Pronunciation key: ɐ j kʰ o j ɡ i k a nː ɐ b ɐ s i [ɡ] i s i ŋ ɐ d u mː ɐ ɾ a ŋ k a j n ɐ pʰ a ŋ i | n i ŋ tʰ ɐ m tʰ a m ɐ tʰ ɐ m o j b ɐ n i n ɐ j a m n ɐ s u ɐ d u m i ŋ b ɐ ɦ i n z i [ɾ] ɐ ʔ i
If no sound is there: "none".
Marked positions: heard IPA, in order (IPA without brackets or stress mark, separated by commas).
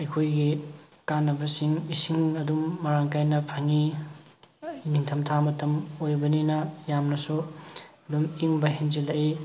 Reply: ŋ, l